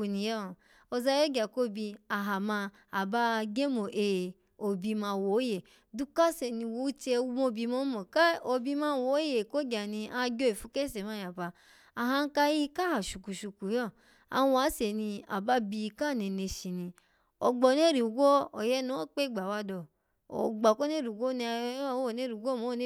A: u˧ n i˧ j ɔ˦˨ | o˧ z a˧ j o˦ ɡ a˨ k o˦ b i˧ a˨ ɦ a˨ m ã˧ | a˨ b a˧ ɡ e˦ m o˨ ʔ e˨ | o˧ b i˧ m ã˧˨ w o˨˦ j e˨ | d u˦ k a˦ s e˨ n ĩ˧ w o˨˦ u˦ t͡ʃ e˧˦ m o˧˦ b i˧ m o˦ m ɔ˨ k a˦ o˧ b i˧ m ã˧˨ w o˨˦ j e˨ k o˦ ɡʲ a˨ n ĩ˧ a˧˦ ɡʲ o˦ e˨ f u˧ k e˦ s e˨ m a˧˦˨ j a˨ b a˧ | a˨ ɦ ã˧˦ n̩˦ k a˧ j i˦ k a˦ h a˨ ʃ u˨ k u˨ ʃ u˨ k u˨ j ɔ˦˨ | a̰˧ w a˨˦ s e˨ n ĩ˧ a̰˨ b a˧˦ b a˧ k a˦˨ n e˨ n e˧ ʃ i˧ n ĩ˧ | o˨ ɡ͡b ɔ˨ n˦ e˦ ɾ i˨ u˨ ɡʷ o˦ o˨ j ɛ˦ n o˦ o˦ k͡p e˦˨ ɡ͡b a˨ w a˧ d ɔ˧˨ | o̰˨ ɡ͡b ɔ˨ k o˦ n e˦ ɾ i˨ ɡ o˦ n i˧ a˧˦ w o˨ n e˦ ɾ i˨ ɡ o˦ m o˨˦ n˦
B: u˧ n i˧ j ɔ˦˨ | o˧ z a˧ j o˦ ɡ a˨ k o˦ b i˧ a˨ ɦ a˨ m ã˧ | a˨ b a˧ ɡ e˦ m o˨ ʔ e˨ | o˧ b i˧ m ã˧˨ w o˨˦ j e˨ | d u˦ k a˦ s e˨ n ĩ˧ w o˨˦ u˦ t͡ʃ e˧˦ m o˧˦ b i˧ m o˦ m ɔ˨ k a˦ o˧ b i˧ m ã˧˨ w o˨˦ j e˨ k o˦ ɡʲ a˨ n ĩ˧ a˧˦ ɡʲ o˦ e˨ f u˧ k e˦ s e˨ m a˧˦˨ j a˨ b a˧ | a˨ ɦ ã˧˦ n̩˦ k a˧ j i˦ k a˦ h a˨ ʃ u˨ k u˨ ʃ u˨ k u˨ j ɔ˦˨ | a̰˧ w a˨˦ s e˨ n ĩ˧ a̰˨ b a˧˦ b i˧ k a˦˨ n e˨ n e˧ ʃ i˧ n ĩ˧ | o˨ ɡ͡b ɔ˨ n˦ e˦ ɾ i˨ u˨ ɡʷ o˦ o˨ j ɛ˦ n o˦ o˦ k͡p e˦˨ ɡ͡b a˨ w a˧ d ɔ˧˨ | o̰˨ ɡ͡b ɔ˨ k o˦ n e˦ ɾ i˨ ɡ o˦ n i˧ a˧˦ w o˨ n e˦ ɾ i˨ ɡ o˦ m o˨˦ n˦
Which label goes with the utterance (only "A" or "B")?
B